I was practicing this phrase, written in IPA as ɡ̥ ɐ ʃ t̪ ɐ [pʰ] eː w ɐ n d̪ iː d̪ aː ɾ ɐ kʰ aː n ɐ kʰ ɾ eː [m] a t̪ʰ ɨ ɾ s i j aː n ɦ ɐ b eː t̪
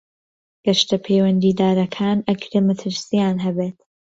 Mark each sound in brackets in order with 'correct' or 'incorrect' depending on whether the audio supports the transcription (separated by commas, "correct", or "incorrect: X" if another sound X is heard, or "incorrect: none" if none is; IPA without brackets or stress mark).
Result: correct, correct